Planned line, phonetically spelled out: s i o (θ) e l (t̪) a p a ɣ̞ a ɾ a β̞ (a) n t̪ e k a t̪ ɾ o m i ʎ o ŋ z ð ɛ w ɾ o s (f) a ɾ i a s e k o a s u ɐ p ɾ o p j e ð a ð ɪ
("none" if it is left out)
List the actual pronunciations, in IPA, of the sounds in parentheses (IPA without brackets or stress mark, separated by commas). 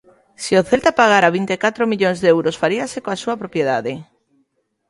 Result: θ, t̪, i, f